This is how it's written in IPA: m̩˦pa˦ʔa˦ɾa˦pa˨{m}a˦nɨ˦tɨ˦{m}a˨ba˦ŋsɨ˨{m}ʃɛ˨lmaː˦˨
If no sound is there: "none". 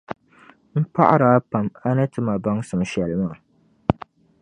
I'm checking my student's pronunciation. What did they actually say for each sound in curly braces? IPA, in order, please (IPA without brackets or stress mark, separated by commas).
m, m, m